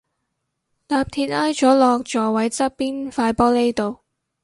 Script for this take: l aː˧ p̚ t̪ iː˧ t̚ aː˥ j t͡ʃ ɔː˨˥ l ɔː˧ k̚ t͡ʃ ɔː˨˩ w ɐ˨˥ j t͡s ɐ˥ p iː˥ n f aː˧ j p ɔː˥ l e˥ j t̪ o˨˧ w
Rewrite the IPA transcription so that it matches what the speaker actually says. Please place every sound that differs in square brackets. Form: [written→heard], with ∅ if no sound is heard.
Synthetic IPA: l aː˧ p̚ [t̪→t̪ʰ] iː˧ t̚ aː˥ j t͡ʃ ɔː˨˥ l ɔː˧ k̚ t͡ʃ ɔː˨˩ w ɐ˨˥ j t͡s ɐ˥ p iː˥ n f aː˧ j p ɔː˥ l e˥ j t̪ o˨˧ w